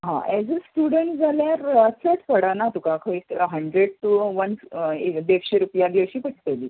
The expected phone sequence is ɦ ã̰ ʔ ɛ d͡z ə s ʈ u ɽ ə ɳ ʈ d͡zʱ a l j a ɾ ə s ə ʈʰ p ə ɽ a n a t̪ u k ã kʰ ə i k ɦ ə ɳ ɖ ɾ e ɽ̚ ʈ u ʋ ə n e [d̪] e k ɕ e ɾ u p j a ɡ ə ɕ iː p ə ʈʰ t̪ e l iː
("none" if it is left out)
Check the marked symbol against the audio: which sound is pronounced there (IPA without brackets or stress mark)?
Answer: d̪